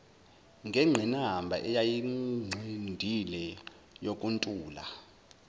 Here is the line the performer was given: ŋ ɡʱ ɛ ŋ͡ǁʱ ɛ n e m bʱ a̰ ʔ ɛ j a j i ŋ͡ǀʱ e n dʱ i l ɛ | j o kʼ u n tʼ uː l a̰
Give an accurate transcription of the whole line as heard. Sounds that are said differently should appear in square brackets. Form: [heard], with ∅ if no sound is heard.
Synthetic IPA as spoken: ŋ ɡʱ ɛ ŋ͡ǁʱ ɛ n [a] m bʱ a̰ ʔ ɛ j a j i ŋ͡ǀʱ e n dʱ i l ɛ | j o kʼ u n tʼ uː l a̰